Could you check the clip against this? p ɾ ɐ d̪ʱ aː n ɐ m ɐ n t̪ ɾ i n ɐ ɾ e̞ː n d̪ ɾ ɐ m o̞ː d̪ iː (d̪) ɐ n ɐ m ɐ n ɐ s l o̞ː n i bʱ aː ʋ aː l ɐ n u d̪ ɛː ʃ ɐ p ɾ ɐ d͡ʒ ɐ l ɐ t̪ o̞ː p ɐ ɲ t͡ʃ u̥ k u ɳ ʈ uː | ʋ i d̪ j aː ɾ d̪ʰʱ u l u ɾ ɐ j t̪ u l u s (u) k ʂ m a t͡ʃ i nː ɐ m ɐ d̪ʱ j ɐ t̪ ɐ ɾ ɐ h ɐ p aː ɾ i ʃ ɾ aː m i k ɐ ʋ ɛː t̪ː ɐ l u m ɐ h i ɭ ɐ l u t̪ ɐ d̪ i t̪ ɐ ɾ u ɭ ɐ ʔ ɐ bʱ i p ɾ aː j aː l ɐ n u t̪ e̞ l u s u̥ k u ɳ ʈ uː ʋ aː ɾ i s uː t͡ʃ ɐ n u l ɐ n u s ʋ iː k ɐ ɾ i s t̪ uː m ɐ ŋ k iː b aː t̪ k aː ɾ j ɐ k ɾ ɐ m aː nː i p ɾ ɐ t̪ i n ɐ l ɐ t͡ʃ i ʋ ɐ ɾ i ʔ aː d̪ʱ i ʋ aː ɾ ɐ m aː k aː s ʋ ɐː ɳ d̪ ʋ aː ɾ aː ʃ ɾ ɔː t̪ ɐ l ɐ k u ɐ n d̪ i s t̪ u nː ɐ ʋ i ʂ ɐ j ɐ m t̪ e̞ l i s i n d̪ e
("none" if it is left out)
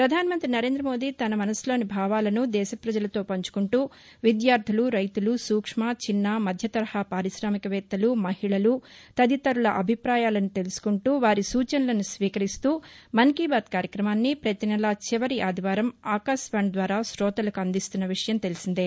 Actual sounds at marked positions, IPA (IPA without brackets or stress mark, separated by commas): t̪, uː